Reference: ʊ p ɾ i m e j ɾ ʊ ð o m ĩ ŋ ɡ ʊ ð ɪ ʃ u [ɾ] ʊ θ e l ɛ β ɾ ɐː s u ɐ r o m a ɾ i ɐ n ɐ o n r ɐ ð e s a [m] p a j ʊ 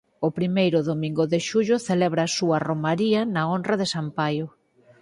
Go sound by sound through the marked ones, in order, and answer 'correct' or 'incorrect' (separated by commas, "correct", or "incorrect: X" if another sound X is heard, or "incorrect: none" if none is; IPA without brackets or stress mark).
incorrect: ʎ, correct